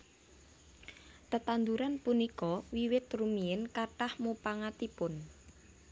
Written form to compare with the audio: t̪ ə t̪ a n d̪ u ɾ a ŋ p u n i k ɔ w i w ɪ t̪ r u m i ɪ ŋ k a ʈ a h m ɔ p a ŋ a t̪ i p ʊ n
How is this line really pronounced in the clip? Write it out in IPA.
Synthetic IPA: t̪ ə t̪ a n d̪ u ɾ a n p u n i k ɔ w i w ɪ t̪ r u m i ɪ n k a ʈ a h m u p a ŋ a t̪ i p ʊ n